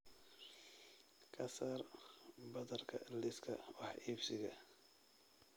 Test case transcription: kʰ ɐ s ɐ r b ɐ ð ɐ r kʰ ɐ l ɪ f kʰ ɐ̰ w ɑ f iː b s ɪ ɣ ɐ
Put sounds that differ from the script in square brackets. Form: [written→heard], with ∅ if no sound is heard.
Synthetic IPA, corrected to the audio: kʰ ɐ s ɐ r b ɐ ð ɐ r kʰ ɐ l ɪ [f→s] kʰ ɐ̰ w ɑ [f→ħ] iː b s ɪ ɣ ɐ